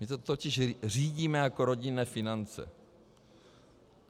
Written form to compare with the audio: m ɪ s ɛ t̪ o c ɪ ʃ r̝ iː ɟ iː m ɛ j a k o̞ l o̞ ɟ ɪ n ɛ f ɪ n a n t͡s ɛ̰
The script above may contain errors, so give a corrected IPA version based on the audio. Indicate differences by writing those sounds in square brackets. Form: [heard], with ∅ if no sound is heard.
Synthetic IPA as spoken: m ɪ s ɛ t̪ o c ɪ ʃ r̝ iː ɟ iː m ɛ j a k o̞ [ɾ] o̞ ɟ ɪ n [ɛː] f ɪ n a n t͡s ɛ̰